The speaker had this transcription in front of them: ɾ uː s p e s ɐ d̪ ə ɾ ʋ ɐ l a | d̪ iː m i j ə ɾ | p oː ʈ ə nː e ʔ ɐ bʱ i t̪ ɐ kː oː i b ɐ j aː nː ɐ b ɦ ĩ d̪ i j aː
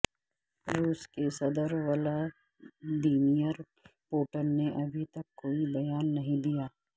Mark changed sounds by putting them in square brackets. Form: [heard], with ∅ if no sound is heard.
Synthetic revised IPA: ɾ uː s [k] e s ɐ d̪ ə ɾ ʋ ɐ l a | d̪ iː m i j ə ɾ | p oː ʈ ə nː e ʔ ɐ bʱ i t̪ ɐ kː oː i b ɐ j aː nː ɐ [∅] ɦ ĩ d̪ i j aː